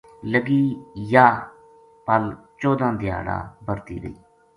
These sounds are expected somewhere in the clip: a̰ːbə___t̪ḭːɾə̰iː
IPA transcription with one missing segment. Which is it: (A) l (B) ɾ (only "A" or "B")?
B